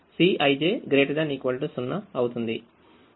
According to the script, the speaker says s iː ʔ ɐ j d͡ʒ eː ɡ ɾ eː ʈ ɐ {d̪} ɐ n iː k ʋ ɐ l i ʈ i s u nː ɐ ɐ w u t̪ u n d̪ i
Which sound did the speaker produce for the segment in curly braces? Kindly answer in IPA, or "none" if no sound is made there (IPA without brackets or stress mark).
d̪